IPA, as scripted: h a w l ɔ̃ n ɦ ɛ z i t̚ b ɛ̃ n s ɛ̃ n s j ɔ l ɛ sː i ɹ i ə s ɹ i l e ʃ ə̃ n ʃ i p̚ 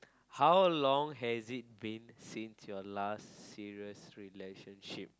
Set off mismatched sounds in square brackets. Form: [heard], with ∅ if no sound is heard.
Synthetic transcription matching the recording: h a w l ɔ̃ [ŋ] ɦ ɛ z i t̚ b [ĩ] n s [ĩ] n s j ɔ l [a] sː i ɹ i ə s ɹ i l e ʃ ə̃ n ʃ i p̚